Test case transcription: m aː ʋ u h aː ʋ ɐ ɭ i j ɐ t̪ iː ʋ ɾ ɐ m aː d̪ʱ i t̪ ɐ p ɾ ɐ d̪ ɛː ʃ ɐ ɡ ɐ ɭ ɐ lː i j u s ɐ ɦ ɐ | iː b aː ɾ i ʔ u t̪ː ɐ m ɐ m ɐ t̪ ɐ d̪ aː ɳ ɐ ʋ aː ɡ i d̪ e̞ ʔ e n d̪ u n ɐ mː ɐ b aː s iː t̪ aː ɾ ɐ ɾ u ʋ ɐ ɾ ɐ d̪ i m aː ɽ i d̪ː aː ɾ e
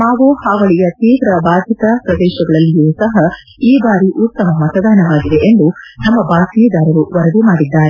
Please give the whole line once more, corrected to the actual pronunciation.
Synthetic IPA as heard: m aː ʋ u h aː ʋ ɐ ɭ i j ɐ t̪ iː ʋ ɾ ɐ b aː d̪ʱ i t̪ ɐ p ɾ ɐ d̪ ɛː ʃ ɐ ɡ ɐ ɭ ɐ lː i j u s ɐ ɦ ɐ | iː b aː ɾ i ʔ u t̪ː ɐ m ɐ m ɐ t̪ ɐ d̪ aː n ɐ ʋ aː ɡ i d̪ e̞ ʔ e n d̪ u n ɐ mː ɐ b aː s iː d̪ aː ɾ ɐ ɾ u ʋ ɐ ɾ ɐ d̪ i m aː ɽ i d̪ː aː ɾ e